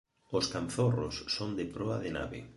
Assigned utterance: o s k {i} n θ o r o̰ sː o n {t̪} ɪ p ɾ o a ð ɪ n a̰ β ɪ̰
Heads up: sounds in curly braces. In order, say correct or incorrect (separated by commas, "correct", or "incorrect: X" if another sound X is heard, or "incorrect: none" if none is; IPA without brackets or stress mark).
incorrect: a, incorrect: d̪